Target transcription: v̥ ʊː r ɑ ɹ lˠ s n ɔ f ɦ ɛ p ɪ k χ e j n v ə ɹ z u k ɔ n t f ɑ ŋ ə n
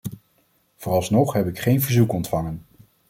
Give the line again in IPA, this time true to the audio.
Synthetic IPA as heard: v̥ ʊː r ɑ lˠ s n ɔ χ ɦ ɛ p ɪ k χ e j n v ə ɹ z u k ɔ n t f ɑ ŋ ə n